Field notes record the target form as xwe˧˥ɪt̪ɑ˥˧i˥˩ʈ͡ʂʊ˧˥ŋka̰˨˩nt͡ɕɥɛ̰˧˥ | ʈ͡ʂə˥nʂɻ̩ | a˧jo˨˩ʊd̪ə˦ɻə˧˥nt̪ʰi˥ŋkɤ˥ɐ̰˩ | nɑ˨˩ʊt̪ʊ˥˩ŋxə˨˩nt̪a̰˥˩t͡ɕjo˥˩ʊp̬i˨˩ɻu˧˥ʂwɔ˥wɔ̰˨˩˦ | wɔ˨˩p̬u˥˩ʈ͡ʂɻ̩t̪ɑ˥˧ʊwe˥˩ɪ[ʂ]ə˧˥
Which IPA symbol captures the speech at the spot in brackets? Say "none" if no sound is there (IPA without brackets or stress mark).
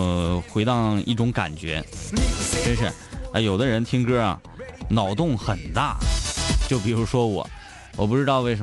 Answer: ʂ